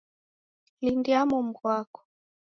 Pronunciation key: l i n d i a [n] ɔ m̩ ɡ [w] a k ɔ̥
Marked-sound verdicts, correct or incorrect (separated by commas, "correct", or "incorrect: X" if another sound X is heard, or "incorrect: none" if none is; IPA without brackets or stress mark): incorrect: m, correct